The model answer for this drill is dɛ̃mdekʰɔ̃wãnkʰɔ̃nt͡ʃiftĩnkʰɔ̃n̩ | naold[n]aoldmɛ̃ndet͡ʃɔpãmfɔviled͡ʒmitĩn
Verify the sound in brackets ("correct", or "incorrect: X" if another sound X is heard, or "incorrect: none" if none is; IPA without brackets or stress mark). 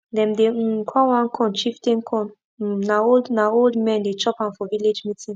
correct